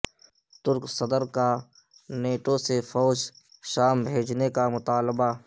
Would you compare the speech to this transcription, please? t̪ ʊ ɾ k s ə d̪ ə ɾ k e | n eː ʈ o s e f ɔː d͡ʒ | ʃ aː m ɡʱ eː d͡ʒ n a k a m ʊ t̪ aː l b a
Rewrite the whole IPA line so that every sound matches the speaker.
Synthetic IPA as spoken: t̪ ʊ ɾ k s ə d̪ ə ɾ k a | n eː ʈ o s e f ɔː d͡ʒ | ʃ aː m bʱ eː d͡ʒ n e k a m ʊ t̪ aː l b a